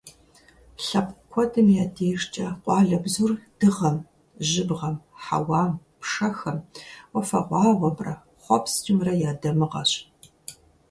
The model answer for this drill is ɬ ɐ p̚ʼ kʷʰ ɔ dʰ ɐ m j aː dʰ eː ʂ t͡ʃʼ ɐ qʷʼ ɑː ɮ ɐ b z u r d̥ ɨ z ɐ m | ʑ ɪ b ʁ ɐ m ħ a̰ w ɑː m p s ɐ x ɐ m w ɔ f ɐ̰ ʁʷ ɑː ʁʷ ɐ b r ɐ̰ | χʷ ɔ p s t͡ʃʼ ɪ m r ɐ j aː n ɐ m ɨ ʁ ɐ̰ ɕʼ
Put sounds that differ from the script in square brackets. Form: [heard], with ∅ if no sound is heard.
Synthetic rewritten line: ɬ ɐ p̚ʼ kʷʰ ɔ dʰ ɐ m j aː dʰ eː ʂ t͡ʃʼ ɐ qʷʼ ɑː ɮ ɐ b z u r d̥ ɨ [ʁ] ɐ m | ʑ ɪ b ʁ ɐ m ħ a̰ w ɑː m p [ʂ] ɐ x ɐ m w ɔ f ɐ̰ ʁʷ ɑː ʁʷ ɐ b r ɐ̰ | χʷ ɔ p s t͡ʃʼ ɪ m r ɐ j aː [d] ɐ m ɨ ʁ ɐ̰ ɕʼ